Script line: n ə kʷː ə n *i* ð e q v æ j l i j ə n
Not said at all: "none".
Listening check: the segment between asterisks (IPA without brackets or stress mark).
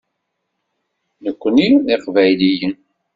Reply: i